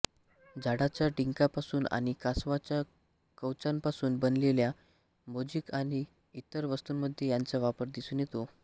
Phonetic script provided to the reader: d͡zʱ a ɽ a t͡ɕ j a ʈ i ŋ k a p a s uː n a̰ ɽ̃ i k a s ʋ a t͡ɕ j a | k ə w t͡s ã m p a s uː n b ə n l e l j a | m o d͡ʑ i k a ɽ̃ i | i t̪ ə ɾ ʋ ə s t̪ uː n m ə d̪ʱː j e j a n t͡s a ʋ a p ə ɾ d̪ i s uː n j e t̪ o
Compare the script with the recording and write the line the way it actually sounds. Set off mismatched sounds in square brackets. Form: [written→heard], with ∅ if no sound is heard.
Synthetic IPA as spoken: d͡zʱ a ɽ a t͡ɕ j a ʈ i ŋ k a p a s uː n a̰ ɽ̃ i k a s ʋ a t͡ɕ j a | k ə w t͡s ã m p a s uː n b ə n l e l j a | m o d͡ʑ i k a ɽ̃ i | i t̪ ə ɾ ʋ ə s t̪ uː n m ə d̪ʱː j e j a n t͡s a ʋ a p ə ɾ d̪ i s uː n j e t̪ o